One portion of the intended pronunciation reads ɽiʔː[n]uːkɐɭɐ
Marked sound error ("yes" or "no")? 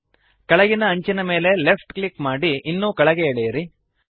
yes